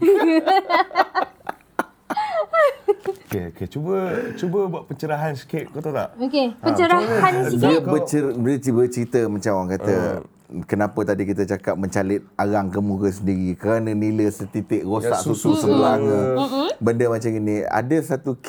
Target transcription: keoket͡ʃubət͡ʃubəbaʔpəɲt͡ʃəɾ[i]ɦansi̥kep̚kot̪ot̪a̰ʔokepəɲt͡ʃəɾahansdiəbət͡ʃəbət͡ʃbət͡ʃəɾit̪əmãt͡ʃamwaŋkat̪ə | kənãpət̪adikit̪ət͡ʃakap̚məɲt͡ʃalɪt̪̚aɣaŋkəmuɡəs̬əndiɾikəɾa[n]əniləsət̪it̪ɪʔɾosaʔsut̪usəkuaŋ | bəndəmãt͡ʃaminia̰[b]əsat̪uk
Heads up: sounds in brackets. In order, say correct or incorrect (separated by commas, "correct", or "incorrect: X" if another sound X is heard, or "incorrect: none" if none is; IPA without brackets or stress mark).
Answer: incorrect: a, correct, incorrect: d